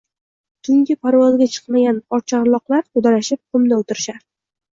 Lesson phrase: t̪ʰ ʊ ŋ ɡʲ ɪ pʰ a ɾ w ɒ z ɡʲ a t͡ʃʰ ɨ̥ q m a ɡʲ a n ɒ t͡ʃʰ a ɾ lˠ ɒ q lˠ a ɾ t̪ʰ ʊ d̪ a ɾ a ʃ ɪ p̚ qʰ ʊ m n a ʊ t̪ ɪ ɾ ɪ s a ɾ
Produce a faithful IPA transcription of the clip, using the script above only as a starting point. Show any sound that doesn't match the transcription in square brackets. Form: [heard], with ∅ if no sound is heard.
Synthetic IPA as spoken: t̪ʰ ʊ ŋ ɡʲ ɪ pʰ a ɾ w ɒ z ɡʲ a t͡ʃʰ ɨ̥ q m a ɡʲ a n ɒ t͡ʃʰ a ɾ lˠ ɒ q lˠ a ɾ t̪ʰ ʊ d̪ a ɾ a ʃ ɪ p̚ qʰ ʊ m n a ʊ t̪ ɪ ɾ ɪ [ʃ] a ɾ